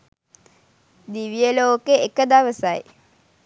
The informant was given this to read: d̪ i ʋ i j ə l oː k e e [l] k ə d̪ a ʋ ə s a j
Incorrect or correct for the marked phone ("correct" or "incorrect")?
incorrect